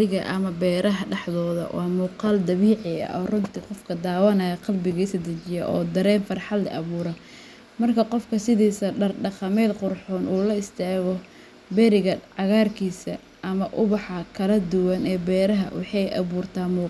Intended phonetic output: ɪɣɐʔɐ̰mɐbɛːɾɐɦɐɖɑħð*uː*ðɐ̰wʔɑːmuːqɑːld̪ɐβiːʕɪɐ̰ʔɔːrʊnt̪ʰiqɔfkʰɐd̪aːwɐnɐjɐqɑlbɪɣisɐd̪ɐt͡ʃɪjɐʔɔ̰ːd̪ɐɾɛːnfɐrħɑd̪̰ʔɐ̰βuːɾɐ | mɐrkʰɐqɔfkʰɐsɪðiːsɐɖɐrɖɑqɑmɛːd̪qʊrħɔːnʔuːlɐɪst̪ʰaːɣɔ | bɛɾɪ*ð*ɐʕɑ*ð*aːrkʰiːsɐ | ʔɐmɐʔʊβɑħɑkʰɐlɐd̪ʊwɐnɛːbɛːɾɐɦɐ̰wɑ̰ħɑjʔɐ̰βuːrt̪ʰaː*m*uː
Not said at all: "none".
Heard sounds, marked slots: ɔː, ɣ, ɣ, m

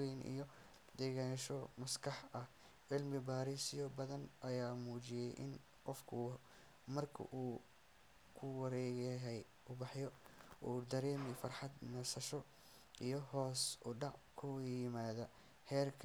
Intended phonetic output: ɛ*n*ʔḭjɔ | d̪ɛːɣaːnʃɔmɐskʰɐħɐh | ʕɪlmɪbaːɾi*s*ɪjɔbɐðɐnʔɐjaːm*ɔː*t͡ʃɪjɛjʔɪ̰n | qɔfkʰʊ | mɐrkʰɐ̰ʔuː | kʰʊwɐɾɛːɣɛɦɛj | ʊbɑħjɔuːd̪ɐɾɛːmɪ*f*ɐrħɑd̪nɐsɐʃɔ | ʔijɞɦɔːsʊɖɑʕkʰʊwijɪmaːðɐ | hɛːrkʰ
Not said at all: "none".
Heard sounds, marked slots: n, s, uː, f

